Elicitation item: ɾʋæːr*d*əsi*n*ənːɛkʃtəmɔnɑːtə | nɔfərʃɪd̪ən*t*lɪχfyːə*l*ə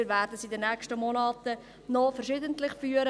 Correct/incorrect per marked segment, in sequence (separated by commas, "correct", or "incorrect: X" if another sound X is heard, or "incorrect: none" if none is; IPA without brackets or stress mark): correct, incorrect: d, correct, incorrect: ɾ